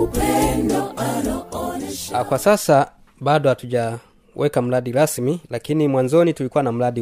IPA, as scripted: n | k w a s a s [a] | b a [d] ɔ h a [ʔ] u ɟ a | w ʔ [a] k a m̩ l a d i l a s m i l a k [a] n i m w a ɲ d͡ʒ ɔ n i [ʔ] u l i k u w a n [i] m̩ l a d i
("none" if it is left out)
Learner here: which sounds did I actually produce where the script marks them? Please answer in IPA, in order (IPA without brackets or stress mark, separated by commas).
a, d, t, ɛ, i, t, a